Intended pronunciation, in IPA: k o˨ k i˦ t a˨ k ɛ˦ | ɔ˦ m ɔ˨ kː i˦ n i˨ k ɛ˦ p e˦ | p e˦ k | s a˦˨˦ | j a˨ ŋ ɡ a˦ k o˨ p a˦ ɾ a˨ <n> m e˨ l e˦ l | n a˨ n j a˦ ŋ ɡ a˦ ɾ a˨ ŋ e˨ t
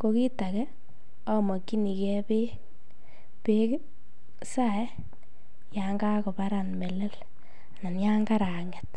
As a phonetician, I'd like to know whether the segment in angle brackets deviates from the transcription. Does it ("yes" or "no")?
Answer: no